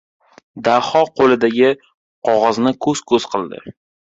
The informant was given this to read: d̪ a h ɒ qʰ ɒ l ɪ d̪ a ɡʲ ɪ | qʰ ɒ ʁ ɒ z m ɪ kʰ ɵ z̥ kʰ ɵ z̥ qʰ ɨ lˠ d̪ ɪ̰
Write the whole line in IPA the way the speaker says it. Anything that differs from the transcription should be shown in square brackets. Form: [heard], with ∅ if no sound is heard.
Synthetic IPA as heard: d̪ a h ɒ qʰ [o] l ɪ d̪ a ɡʲ ɪ | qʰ ɒ ʁ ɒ z [n] ɪ kʰ ɵ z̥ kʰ ɵ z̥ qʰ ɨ lˠ d̪ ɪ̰